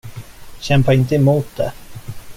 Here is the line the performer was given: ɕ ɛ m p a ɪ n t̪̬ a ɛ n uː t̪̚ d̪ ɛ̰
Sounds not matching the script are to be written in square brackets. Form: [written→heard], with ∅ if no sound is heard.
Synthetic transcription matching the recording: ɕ ɛ m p a ɪ n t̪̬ [a→ə] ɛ [n→m] uː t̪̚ d̪ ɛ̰